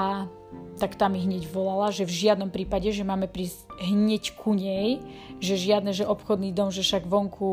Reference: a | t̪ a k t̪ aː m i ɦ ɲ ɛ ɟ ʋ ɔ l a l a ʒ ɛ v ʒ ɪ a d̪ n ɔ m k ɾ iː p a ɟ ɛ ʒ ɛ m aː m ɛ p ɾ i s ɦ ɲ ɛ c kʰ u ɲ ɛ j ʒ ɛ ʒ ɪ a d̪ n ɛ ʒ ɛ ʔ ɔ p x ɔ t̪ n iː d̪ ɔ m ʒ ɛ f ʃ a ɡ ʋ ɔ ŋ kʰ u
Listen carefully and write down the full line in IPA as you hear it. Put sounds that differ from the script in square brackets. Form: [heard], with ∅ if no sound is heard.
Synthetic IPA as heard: a | t̪ a k t̪ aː m i ɦ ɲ ɛ ɟ ʋ ɔ l a l a ʒ ɛ v ʒ ɪ a d̪ n ɔ m [p] ɾ iː p a ɟ ɛ ʒ ɛ m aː m ɛ p ɾ i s ɦ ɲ ɛ c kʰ u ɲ ɛ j ʒ ɛ ʒ ɪ a d̪ n ɛ ʒ ɛ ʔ ɔ p x ɔ [d̪] n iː d̪ ɔ m ʒ ɛ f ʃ a ɡ ʋ ɔ ŋ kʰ u